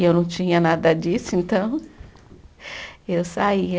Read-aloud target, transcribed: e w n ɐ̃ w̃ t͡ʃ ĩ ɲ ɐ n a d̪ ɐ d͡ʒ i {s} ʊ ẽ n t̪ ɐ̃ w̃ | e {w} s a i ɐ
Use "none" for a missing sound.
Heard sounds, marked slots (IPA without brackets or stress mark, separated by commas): s, w